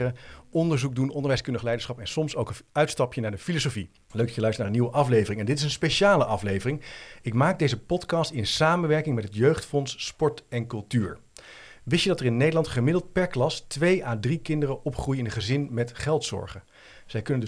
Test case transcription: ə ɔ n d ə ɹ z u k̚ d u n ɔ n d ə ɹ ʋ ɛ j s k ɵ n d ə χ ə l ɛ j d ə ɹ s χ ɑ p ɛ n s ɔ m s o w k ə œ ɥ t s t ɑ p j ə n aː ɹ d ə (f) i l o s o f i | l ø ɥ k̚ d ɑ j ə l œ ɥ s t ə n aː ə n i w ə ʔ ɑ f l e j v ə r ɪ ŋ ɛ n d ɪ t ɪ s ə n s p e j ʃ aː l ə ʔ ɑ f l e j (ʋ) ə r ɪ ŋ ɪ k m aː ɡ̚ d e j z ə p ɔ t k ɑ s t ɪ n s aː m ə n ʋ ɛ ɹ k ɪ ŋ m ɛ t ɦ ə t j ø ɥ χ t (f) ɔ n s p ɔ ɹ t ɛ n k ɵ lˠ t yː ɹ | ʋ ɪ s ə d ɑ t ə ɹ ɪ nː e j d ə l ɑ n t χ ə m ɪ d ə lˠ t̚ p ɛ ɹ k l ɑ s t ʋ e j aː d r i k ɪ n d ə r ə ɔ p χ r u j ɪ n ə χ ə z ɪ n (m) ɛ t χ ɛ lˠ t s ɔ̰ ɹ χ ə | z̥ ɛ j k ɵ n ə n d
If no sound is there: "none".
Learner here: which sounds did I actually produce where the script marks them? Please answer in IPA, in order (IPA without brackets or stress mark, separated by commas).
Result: f, v, f, m